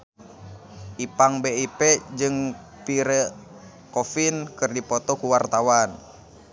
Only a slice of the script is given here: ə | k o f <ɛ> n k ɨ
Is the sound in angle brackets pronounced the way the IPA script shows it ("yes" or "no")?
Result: no